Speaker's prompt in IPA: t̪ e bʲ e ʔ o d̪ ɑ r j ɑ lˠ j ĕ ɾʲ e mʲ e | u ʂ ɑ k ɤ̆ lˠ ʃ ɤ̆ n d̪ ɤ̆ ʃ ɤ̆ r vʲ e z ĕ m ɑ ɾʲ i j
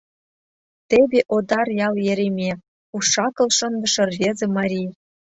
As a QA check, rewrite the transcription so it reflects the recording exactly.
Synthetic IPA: t̪ e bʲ e ʔ o d̪ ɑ r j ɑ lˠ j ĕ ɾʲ e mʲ e | u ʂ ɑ k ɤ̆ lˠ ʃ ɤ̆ n d̪ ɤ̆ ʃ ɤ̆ r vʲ e z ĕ m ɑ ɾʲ i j